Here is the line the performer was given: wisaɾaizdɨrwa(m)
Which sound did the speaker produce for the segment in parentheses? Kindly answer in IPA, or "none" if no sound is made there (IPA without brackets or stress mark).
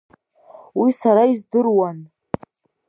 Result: n